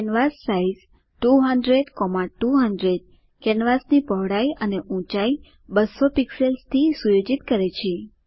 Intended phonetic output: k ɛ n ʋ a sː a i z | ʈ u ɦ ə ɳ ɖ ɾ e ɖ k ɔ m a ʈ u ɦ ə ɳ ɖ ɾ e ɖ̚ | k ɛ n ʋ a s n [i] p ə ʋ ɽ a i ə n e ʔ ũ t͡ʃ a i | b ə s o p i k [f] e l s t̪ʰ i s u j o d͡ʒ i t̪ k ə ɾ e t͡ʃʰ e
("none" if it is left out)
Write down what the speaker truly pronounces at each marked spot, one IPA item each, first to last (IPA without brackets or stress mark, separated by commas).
i, s